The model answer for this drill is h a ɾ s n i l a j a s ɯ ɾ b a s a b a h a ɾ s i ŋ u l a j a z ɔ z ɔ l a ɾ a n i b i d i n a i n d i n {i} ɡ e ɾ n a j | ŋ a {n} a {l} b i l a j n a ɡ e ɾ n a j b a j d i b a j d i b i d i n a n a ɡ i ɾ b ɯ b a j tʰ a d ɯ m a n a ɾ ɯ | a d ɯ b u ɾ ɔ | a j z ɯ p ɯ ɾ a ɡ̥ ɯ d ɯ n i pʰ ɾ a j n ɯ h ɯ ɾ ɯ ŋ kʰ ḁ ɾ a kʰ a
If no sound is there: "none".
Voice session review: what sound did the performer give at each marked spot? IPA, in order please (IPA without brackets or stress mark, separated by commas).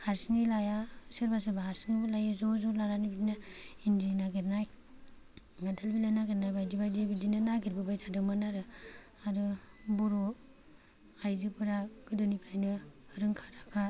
a, d, l